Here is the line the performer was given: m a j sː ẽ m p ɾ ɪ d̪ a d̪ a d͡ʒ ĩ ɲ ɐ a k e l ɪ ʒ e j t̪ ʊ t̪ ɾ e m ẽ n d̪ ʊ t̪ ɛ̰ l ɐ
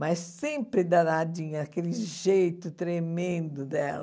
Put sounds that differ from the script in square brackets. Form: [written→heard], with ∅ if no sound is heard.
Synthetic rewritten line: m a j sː ẽ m p ɾ ɪ d̪ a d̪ a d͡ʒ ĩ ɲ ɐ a k e l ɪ ʒ e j t̪ ʊ t̪ ɾ e m ẽ n d̪ ʊ [t̪→d̪] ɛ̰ l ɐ